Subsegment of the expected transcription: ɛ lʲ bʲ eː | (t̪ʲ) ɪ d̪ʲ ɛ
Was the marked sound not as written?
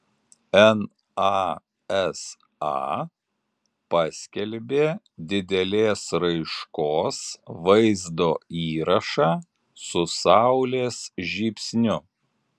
yes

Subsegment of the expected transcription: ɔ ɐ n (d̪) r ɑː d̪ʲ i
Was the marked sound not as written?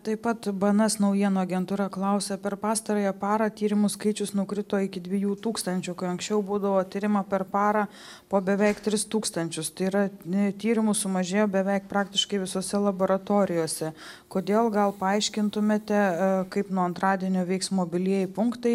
yes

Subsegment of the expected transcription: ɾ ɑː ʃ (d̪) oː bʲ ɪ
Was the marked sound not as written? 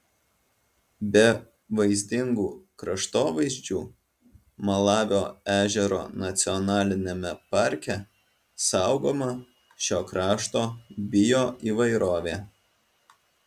yes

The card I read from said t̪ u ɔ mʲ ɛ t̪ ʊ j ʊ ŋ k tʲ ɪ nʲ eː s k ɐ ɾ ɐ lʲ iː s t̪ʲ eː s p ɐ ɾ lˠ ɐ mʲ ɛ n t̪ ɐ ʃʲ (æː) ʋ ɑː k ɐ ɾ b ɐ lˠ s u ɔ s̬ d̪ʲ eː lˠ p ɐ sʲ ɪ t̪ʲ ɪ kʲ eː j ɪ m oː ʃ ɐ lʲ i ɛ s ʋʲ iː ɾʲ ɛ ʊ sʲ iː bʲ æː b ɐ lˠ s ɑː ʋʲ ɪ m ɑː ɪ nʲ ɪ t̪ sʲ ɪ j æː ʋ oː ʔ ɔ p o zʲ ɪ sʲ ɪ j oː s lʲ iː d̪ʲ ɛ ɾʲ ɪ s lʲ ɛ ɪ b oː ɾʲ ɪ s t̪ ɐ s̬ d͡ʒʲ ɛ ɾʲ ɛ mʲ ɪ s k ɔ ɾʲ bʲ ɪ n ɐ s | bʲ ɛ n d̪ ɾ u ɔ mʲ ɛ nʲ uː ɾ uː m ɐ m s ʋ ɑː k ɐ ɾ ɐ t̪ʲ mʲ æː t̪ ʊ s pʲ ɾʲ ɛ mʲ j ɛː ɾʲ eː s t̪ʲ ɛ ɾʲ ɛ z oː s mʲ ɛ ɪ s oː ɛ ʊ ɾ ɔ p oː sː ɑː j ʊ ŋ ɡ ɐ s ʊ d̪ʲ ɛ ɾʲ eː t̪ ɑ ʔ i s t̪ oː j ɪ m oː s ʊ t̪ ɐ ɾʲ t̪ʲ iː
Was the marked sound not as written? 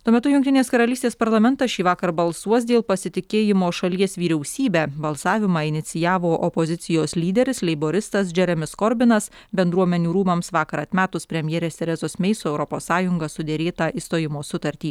yes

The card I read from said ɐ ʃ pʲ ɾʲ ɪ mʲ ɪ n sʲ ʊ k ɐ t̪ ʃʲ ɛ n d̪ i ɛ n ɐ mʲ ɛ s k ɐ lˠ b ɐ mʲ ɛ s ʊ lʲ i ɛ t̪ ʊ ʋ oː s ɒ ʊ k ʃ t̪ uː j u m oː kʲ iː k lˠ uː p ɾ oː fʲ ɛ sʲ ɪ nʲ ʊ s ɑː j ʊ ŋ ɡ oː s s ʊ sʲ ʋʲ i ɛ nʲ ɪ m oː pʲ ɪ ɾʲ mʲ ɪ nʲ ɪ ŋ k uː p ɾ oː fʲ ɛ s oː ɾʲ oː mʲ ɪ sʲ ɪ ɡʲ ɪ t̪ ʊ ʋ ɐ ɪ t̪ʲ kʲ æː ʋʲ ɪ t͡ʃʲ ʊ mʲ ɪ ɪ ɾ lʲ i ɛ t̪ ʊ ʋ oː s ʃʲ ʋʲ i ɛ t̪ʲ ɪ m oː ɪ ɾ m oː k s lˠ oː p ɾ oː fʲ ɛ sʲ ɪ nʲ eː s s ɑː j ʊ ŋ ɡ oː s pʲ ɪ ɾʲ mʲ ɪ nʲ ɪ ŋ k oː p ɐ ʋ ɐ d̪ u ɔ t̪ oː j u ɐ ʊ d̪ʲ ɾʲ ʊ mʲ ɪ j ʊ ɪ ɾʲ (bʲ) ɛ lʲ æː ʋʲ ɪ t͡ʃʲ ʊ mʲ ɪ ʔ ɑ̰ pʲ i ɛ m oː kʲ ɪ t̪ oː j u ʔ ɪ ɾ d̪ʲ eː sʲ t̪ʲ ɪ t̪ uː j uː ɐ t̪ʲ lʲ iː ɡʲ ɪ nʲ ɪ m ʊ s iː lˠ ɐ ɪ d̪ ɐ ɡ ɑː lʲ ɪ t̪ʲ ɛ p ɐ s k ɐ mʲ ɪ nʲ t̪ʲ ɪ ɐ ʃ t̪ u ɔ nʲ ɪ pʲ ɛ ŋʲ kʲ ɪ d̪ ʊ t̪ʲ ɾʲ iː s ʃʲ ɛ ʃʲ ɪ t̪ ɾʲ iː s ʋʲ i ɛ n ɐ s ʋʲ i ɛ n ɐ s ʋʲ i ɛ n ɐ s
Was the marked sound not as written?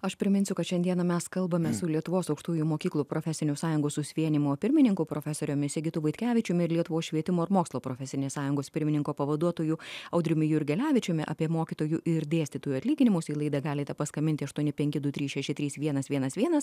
yes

